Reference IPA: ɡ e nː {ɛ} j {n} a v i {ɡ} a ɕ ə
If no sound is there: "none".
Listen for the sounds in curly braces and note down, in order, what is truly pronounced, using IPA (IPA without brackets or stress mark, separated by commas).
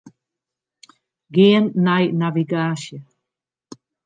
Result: a, n, ɡ